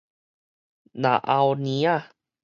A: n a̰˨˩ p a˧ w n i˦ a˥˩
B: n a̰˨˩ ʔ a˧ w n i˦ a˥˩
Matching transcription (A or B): B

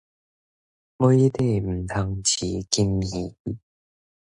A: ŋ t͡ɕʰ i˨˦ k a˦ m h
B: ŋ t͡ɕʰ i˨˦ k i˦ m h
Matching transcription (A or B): B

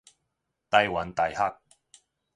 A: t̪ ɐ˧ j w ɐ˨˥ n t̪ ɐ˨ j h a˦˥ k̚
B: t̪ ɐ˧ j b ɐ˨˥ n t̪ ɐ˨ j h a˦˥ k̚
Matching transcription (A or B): A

